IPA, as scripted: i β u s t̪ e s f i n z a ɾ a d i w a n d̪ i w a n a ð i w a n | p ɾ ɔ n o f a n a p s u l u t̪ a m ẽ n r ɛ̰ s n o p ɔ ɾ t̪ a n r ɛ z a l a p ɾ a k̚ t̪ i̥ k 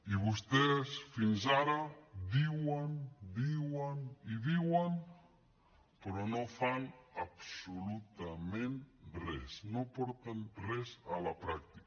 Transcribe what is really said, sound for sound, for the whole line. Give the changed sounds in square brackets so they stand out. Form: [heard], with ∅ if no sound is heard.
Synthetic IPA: i β u s t̪ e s f i n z a ɾ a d i w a n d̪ i w a n [i] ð i w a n | p ɾ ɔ n o f a n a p s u l u t̪ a m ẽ n r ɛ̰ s n o p ɔ ɾ t̪ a n r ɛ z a l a p ɾ a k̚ t̪ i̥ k